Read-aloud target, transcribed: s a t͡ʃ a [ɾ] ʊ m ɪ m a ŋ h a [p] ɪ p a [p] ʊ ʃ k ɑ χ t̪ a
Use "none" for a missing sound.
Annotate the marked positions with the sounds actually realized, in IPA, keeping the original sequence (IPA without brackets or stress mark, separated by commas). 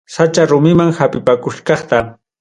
ɾ, p, k